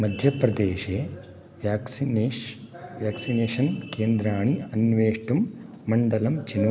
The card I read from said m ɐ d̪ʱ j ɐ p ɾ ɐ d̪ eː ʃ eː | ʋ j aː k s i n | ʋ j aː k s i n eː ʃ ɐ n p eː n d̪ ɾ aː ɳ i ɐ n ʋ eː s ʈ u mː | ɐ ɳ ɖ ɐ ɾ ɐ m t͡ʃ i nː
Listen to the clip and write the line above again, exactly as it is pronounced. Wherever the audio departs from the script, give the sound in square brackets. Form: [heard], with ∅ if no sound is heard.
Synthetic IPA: m ɐ d̪ʱ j ɐ p ɾ ɐ d̪ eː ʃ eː | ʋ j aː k s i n | ʋ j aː k s i n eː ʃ ɐ n [k] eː n d̪ ɾ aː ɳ i ɐ n ʋ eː [ʂ] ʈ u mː | ɐ ɳ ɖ ɐ [l] ɐ m t͡ʃ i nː